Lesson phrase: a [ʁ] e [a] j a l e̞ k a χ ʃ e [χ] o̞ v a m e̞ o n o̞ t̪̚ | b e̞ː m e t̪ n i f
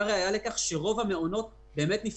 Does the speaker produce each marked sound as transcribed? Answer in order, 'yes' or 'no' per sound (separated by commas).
yes, yes, no